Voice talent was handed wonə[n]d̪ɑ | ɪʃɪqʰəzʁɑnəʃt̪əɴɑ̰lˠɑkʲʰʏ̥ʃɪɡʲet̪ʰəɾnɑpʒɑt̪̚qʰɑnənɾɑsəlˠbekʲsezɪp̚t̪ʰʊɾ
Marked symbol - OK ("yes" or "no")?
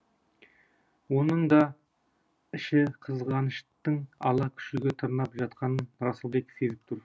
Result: no